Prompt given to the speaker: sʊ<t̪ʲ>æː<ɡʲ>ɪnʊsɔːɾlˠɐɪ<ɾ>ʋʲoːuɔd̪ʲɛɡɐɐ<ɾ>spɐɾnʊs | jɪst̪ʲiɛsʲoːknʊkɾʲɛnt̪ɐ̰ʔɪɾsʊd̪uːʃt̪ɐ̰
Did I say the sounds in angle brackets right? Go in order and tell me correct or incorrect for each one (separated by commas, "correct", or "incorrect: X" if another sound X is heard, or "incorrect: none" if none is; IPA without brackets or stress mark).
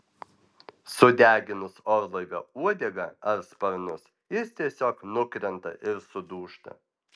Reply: incorrect: d̪ʲ, correct, incorrect: none, correct